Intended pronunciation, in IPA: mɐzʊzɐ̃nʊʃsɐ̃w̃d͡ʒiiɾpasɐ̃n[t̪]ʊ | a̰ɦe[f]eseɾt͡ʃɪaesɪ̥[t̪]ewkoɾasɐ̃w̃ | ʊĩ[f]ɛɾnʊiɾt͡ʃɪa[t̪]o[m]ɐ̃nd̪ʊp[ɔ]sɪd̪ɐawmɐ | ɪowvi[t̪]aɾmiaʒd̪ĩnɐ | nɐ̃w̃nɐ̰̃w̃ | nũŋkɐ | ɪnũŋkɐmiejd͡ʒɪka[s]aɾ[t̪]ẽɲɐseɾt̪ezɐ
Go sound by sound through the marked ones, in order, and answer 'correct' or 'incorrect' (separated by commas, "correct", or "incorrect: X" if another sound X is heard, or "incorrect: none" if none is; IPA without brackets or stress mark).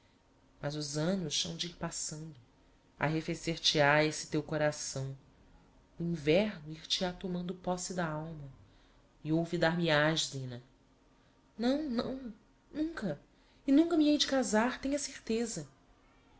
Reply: incorrect: d̪, correct, correct, incorrect: v, correct, correct, correct, incorrect: d̪, incorrect: z, correct